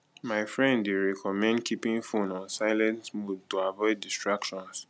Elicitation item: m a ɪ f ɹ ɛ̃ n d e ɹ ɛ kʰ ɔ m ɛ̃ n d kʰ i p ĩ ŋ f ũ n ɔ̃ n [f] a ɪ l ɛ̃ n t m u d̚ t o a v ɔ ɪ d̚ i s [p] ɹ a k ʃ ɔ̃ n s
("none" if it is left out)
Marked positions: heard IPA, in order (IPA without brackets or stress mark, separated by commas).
s, t